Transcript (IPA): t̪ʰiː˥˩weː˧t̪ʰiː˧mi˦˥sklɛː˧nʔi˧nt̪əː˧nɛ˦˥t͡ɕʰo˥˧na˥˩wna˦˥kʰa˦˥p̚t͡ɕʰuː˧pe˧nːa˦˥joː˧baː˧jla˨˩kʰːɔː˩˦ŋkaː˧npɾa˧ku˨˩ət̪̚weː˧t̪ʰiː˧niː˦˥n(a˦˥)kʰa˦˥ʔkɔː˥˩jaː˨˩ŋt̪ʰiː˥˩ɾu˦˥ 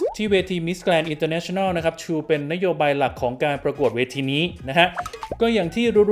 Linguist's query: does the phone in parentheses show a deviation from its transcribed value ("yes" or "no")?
no